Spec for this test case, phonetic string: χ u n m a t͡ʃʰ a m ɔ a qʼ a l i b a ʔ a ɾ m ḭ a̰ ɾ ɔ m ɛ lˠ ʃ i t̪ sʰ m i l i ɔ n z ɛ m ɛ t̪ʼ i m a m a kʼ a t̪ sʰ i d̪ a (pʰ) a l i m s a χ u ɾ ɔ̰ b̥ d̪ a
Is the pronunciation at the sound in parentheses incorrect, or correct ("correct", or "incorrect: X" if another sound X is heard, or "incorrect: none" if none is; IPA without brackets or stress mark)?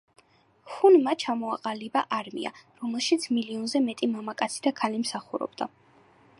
incorrect: kʰ